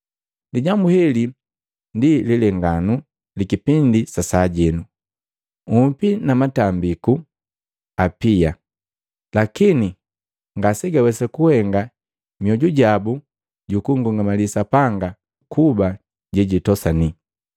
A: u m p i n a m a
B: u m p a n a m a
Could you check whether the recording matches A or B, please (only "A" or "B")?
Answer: A